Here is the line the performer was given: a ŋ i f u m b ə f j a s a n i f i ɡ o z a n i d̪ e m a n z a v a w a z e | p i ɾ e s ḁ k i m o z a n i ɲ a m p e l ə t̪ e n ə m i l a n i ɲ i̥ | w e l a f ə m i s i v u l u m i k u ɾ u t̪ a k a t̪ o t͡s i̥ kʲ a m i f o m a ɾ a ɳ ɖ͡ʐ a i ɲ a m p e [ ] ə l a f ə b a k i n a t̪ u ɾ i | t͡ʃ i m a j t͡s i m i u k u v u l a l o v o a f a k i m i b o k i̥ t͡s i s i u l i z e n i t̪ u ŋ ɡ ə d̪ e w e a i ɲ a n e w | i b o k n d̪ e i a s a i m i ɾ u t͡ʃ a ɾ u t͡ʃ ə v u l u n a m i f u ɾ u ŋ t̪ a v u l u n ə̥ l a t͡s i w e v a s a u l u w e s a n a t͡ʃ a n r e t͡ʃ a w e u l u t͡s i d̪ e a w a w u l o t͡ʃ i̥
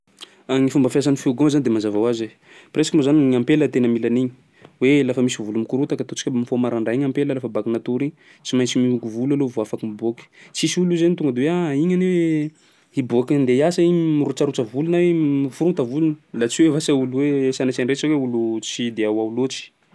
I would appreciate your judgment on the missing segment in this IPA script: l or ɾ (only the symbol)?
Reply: l